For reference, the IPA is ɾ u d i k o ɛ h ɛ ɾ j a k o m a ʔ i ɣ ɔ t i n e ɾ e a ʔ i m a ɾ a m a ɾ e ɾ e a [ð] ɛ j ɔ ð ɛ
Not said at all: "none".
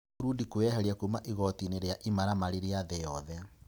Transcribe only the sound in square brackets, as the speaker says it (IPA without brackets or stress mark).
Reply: ð